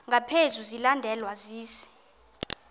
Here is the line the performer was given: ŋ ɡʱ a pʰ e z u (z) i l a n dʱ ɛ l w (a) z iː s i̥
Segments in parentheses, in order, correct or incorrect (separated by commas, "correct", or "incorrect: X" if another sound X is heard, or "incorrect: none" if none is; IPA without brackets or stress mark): correct, correct